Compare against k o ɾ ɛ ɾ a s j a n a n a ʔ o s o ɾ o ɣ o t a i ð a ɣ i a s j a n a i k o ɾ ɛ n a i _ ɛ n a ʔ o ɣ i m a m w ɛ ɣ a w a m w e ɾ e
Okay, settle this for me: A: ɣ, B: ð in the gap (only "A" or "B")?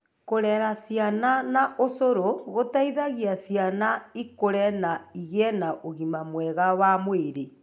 A